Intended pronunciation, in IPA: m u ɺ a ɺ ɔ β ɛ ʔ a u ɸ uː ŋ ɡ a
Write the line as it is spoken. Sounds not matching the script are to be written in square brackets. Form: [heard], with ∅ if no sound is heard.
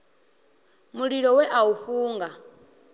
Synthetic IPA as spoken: m u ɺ [i] ɺ ɔ [w] ɛ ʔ a u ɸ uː ŋ ɡ a